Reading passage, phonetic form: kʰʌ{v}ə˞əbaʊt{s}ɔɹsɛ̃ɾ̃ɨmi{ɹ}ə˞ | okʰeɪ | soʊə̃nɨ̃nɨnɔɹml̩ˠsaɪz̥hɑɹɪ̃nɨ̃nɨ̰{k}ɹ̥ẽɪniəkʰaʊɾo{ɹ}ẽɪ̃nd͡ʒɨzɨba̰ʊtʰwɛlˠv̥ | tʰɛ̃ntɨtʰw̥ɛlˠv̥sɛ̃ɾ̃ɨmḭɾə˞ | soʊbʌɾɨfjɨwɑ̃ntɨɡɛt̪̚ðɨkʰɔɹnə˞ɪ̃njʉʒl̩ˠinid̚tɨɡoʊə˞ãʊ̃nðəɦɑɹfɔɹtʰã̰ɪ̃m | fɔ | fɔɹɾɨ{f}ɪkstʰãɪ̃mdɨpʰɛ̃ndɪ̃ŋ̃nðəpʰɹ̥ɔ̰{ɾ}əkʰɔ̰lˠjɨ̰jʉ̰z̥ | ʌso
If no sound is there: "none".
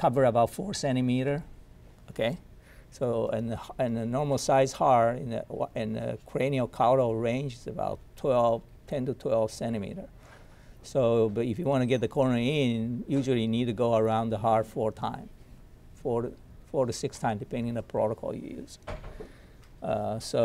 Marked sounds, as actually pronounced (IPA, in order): v, f, ɾ, kʰ, ɹ, s, ɾ

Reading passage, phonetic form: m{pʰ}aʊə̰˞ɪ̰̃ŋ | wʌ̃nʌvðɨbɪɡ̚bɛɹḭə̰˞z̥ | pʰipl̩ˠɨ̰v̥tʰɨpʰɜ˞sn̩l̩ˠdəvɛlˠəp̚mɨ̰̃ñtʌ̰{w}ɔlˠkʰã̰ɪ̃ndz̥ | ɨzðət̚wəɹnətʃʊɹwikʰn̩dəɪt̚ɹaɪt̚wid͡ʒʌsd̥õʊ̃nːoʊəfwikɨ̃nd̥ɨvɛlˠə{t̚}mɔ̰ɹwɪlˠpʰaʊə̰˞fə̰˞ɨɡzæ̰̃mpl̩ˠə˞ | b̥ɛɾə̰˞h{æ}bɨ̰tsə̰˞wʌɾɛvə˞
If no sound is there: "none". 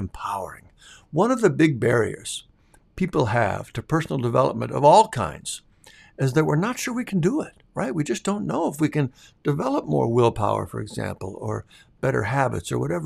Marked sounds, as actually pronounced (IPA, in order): pʰ, v, p̚, æ

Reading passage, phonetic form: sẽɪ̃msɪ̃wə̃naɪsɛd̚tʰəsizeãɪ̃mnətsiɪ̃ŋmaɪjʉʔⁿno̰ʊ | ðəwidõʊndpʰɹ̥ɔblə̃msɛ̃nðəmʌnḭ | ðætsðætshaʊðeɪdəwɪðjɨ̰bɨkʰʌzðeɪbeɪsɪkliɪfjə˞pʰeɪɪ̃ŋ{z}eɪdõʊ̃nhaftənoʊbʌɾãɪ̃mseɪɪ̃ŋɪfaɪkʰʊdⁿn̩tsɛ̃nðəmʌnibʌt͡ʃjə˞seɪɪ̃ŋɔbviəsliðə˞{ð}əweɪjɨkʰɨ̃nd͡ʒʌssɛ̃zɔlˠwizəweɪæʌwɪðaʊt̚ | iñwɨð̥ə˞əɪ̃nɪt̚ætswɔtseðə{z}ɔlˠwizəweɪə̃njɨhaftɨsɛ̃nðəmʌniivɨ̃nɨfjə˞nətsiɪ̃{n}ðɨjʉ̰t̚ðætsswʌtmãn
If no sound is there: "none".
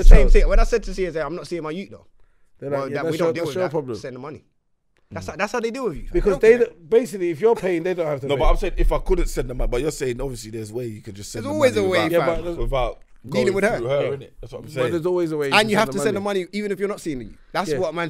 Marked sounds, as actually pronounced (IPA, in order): ð, z, z, ŋ

